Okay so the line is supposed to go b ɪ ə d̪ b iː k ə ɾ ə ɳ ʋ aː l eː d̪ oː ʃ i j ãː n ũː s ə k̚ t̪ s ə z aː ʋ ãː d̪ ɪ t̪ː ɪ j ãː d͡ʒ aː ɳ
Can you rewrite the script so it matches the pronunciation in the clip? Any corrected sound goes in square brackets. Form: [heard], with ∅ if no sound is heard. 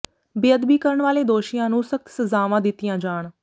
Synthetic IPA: b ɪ ə d̪ b iː k ə ɾ ə ɳ ʋ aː l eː d̪ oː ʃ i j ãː n ũː s ə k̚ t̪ s ə z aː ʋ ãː d̪ ɪ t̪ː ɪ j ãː d͡ʒ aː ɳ